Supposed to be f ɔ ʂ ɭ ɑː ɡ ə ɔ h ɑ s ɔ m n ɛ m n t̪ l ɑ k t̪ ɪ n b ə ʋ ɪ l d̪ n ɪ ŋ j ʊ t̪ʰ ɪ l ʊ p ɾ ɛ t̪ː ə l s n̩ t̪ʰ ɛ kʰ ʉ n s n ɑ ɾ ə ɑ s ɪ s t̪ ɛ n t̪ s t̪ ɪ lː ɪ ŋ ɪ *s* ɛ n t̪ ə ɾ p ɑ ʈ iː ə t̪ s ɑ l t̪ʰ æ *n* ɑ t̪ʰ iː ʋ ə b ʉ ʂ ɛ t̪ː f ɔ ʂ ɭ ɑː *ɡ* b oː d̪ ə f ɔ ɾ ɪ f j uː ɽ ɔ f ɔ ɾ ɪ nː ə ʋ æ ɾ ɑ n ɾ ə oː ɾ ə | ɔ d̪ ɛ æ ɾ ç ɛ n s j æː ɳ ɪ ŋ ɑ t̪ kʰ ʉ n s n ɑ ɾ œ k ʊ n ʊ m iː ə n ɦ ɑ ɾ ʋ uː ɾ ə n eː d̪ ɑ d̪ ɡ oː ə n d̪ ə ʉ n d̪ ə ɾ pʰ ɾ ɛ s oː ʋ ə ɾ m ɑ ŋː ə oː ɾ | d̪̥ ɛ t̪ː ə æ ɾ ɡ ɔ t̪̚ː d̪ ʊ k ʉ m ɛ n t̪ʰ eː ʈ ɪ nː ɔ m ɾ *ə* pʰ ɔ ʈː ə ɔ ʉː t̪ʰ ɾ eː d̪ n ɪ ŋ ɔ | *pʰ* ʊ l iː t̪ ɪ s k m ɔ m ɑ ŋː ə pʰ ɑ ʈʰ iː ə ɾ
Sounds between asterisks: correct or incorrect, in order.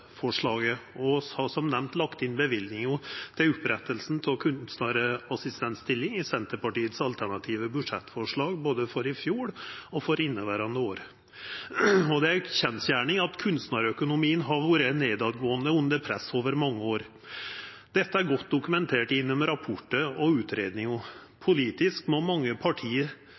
correct, incorrect: ɳ, correct, incorrect: ɑ, correct

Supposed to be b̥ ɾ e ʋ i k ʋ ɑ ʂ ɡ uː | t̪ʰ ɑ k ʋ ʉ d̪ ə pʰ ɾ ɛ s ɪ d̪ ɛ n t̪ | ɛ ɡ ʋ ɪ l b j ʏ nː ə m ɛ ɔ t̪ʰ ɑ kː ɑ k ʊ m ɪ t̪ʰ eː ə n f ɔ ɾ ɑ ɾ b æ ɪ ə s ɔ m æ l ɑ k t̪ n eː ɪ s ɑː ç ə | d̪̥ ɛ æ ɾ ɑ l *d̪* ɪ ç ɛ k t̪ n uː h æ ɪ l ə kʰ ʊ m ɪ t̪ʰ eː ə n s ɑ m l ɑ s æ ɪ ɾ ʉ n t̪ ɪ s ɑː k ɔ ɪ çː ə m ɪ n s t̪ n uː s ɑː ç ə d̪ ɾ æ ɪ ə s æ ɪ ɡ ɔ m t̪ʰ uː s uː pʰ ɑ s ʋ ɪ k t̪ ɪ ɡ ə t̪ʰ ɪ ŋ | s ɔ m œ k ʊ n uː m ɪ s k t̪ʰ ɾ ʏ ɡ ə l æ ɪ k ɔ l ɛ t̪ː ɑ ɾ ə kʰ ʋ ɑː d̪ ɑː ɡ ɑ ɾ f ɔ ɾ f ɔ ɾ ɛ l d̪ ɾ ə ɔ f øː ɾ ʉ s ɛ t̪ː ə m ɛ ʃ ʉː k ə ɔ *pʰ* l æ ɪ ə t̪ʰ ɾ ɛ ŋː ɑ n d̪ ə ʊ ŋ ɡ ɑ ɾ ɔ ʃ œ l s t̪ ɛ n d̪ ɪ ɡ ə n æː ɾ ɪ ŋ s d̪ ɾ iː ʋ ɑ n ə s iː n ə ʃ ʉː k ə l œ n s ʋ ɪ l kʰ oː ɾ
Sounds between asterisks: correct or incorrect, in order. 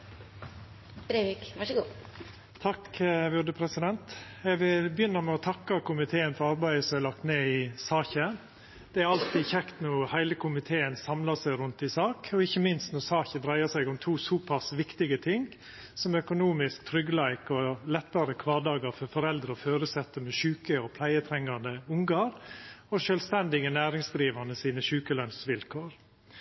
incorrect: t̪, correct

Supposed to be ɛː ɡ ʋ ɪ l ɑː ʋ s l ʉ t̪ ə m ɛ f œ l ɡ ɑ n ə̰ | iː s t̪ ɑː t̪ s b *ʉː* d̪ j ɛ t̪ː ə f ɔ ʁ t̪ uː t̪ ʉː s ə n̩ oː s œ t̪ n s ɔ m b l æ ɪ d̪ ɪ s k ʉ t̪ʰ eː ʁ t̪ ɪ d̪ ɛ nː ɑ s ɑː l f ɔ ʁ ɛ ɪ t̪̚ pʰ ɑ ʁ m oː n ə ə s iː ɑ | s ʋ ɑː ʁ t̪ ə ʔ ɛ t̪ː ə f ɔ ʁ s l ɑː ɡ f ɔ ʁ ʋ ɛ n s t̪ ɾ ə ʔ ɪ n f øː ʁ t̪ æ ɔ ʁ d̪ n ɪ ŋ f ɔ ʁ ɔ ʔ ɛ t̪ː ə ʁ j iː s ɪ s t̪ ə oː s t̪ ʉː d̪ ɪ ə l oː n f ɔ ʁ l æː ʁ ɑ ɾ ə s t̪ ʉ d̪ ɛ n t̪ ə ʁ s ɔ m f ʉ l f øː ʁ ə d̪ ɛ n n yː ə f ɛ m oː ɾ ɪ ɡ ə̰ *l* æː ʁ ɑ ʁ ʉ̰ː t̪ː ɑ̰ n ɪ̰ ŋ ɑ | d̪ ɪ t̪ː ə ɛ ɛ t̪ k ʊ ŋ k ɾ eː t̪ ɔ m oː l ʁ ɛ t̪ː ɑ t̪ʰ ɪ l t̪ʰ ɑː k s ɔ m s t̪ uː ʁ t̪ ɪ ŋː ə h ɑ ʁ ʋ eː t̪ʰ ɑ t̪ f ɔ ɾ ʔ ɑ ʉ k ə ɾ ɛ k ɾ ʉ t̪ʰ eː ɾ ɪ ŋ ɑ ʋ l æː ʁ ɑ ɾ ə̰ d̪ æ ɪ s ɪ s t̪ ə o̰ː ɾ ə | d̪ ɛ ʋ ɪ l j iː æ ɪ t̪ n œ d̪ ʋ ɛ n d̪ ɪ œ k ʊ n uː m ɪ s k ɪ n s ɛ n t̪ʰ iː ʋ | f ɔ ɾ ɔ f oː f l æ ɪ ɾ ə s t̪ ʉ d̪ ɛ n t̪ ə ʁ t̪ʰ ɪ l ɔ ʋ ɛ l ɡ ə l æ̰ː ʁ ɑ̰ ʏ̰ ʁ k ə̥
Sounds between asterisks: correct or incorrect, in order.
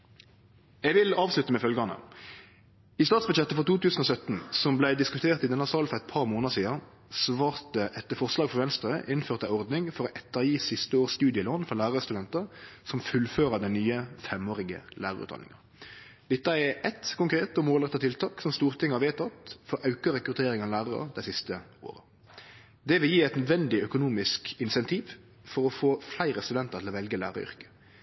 incorrect: ʉ, correct

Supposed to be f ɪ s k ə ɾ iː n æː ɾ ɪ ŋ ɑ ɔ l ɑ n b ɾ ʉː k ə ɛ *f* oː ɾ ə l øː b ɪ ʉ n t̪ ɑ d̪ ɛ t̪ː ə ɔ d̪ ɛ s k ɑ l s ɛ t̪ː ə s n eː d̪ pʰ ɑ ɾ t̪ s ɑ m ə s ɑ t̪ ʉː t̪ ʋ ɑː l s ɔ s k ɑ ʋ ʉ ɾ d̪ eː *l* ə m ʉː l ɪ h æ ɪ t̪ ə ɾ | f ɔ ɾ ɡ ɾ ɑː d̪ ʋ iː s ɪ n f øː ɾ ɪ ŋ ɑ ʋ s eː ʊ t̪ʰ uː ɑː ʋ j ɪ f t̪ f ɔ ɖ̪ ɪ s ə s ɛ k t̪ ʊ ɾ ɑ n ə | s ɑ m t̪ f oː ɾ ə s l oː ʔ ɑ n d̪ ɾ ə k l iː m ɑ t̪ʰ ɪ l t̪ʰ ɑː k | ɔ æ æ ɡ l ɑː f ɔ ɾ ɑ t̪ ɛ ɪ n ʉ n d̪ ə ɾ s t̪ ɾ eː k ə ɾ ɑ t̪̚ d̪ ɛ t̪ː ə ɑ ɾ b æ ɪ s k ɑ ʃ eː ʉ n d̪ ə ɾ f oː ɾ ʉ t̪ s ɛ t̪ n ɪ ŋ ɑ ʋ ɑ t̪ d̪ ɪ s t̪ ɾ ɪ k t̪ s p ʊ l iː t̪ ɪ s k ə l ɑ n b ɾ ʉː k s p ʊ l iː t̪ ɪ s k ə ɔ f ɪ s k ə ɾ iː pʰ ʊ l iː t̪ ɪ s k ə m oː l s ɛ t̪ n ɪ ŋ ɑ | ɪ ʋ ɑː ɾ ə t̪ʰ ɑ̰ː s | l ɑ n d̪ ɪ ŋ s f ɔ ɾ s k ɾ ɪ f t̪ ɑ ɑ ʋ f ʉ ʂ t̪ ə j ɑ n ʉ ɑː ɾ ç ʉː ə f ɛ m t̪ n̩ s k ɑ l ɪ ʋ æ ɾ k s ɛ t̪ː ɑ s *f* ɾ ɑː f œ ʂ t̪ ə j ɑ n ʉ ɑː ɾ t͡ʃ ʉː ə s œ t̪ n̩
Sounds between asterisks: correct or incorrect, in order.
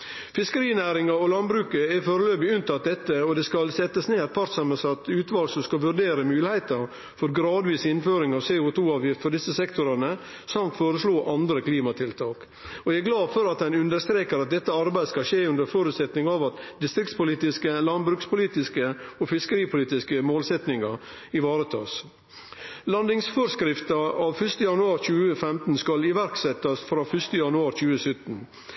correct, incorrect: ɾ, correct

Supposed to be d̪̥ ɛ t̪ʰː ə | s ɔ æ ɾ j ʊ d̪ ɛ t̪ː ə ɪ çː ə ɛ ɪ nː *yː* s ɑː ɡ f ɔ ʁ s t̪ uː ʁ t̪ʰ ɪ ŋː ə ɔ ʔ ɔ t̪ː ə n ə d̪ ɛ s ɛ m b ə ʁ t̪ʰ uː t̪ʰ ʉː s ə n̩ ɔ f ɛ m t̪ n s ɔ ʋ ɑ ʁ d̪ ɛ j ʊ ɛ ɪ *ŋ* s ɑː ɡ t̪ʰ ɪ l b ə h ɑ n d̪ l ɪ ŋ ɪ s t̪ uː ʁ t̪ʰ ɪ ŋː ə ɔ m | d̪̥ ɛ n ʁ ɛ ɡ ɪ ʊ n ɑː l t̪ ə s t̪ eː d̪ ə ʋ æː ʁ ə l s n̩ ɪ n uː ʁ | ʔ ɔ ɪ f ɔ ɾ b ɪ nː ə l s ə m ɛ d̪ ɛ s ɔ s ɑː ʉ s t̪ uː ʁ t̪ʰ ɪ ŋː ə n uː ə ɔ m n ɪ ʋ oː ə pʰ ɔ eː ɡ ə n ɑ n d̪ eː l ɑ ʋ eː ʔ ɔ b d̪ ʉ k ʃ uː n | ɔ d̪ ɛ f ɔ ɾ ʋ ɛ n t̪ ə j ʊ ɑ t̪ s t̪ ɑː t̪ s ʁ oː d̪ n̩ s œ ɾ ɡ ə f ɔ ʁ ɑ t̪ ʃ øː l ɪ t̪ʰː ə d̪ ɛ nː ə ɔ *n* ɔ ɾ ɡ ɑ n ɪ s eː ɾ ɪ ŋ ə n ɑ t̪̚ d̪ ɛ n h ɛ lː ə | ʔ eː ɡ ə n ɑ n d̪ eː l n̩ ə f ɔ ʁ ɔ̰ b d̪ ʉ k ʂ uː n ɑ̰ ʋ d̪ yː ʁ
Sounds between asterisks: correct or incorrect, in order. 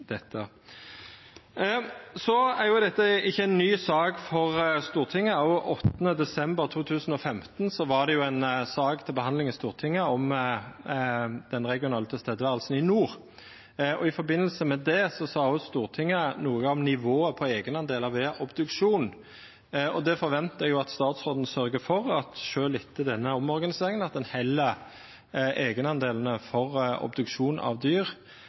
correct, incorrect: n, incorrect: m

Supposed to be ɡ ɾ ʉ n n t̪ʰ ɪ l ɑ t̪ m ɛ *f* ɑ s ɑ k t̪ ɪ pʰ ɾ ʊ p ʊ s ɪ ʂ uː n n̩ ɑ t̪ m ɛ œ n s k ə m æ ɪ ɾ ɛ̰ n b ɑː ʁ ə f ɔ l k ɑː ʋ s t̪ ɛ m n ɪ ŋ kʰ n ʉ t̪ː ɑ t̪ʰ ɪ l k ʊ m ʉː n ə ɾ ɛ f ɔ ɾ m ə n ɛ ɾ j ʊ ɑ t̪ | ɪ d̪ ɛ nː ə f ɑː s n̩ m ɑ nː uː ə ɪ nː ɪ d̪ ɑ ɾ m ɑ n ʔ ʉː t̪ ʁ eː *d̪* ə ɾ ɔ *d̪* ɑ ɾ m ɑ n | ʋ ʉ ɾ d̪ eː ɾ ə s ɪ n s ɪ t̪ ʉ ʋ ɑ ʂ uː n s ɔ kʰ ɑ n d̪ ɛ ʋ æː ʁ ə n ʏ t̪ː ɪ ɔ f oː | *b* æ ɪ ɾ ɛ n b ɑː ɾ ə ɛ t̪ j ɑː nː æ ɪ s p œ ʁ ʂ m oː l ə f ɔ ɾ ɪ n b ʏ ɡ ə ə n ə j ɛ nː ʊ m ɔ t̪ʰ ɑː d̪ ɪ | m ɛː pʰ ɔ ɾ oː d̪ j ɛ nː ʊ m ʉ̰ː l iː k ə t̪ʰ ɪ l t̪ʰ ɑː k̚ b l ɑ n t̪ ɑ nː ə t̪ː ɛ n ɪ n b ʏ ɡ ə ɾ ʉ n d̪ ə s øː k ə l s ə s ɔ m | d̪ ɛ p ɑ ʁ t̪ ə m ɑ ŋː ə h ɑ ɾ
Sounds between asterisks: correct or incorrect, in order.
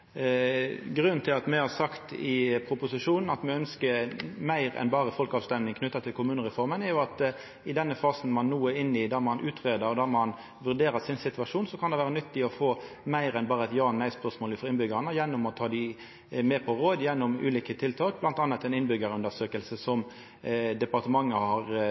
incorrect: h, correct, correct, incorrect: m

